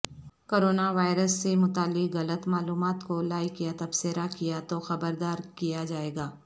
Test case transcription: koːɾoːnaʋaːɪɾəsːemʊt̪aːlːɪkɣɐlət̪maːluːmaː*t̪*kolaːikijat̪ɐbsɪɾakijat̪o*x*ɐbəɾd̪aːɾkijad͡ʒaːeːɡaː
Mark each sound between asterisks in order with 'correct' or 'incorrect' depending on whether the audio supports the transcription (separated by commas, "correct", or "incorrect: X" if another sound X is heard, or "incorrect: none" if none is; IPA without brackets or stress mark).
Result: correct, correct